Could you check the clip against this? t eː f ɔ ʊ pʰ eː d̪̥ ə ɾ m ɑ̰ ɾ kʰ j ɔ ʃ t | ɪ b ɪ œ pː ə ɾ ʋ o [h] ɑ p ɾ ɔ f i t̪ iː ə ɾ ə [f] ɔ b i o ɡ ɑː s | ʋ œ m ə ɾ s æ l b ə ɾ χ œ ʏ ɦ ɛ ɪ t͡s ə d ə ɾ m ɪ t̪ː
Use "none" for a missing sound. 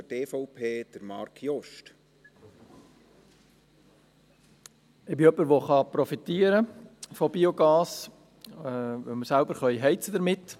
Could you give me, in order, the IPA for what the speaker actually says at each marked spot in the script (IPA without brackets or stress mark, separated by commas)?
χ, f